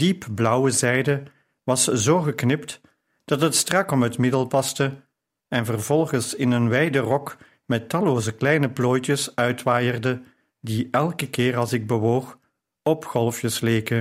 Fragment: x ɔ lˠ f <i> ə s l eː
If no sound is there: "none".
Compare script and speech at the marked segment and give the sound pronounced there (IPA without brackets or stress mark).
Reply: j